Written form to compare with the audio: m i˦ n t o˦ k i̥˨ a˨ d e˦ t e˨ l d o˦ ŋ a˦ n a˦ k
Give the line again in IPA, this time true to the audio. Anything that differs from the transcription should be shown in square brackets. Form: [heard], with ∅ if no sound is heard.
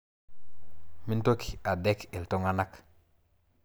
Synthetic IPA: m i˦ n t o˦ k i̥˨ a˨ d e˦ [k] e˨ l [t] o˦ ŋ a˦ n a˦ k